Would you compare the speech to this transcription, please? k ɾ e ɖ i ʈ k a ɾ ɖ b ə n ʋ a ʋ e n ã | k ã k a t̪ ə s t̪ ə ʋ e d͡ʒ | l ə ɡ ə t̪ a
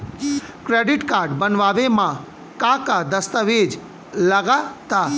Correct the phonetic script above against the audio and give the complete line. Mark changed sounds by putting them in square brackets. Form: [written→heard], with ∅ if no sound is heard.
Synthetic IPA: k ɾ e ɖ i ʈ k a ɾ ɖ b ə n ʋ a ʋ e [n→m] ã | k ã k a [t̪→d̪] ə s t̪ ə ʋ e d͡ʒ | l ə ɡ [ə→a] t̪ a